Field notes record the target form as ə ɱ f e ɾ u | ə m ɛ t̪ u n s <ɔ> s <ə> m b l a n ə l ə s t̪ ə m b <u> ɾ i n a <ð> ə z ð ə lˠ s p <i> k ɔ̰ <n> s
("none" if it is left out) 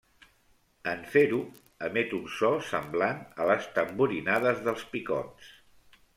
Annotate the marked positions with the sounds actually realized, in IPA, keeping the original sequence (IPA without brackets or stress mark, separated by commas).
ɔ, ə, u, ð, i, n